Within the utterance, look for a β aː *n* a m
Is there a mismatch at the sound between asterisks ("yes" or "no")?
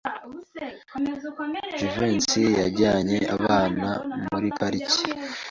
no